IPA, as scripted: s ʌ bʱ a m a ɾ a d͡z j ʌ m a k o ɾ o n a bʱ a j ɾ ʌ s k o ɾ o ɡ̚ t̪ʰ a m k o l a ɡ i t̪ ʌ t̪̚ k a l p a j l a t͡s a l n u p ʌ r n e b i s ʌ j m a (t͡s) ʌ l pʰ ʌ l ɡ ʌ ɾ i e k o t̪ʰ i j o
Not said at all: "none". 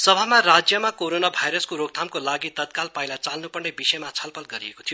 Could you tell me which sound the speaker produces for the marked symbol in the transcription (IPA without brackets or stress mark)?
t͡sʰ